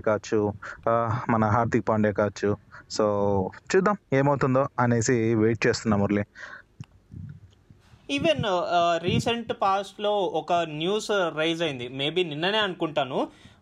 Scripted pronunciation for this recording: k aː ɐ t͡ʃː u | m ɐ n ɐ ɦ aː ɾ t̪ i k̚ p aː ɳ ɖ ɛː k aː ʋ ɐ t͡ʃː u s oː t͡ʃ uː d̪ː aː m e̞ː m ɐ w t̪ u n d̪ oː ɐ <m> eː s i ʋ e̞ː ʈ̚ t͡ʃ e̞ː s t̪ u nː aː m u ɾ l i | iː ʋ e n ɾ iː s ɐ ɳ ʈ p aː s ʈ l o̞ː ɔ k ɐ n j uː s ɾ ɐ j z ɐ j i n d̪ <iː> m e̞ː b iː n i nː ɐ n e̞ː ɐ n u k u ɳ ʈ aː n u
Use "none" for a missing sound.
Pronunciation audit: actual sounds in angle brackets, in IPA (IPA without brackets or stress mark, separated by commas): n, i